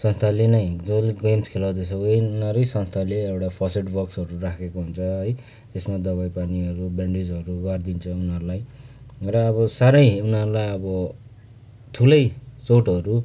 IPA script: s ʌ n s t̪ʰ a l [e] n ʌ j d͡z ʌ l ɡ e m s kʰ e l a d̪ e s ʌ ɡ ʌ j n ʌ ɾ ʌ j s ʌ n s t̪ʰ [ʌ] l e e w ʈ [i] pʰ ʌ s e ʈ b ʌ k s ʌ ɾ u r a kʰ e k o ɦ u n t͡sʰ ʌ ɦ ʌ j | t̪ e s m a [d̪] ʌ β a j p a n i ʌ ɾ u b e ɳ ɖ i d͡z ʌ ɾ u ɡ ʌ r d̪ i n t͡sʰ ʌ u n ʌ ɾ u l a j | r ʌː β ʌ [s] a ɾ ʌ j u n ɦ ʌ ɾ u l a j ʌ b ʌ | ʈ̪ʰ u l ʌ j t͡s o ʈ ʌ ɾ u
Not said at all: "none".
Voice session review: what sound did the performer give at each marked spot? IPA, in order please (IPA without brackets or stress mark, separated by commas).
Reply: e, a, a, d̪, s